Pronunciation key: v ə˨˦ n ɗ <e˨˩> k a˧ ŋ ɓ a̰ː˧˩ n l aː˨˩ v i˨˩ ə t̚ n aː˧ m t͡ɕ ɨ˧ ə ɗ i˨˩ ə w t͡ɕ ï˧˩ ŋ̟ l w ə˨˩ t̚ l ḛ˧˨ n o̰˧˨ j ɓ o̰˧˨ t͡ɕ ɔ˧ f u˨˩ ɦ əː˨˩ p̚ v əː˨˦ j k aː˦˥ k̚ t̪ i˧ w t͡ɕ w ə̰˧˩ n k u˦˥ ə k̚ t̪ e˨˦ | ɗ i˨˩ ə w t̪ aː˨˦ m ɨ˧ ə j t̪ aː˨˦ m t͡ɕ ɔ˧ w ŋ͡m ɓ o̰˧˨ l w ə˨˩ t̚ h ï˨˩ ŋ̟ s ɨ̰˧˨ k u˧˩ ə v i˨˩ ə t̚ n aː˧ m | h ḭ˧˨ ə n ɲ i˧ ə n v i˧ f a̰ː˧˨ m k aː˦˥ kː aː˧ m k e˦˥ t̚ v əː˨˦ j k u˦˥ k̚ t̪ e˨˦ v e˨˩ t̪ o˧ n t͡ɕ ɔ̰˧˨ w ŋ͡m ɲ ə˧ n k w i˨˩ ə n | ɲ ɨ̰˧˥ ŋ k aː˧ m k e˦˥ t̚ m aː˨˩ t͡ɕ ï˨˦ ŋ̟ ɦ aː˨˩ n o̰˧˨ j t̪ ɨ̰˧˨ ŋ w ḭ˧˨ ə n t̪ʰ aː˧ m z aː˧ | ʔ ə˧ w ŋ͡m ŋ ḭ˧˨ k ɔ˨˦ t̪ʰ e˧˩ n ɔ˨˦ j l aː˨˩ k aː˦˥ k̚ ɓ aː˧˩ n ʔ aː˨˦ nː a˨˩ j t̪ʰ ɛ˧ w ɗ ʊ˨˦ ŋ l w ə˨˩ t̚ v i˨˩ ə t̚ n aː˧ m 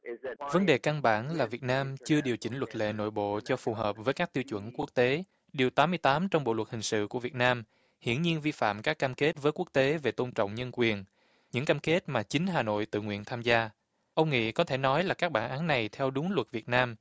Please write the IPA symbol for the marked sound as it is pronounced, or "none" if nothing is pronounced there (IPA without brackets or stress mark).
e˨˩